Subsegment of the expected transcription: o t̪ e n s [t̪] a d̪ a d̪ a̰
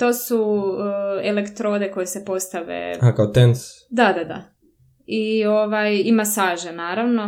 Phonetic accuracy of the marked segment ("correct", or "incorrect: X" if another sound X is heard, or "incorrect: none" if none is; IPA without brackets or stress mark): incorrect: d̪